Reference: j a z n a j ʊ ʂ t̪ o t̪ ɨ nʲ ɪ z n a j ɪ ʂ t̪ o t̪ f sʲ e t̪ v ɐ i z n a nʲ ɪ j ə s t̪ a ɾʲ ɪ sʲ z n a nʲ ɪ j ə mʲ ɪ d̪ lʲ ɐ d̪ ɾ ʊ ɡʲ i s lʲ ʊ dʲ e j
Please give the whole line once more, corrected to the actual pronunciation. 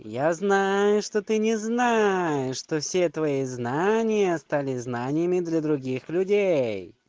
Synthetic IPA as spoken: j a z n a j ʊ ʂ t̪ o t̪ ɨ nʲ ɪ z n a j ɪ ʂ t̪ o f sʲ e t̪ v ɐ i z n a nʲ ɪ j ə s t̪ a lʲ ɪ z n a nʲ ɪ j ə mʲ ɪ d̪ lʲ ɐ d̪ ɾ ʊ ɡʲ i x lʲ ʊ dʲ e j

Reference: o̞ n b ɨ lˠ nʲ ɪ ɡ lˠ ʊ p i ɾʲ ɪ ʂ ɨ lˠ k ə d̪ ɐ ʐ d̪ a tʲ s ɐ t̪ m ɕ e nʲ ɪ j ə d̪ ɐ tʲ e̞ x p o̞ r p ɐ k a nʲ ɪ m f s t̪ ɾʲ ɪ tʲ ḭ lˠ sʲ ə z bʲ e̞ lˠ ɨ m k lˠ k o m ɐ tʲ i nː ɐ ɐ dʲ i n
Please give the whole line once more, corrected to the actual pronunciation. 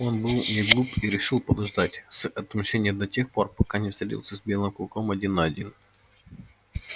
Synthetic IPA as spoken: o̞ n b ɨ lˠ nʲ ɪ ɡ lˠ u p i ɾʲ ɪ ʂ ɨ lˠ p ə d̪ ɐ ʐ d̪ a tʲ s ɐ t̪ m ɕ e nʲ ɪ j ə d̪ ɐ tʲ e̞ x p o̞ r p ɐ k a nʲ ɪ f s t̪ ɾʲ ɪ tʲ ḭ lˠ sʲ ə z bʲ e̞ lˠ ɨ m k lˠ k o m ɐ dʲ i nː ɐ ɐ dʲ i n

